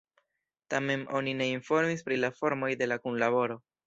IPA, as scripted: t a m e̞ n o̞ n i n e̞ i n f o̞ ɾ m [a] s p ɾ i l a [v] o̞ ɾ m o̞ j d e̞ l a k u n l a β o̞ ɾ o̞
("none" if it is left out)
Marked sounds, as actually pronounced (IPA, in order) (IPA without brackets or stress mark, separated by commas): i, f